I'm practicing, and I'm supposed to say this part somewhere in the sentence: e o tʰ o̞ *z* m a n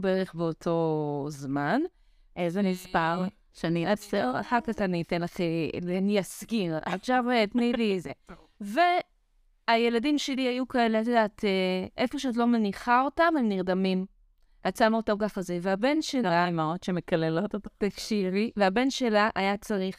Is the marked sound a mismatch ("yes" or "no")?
no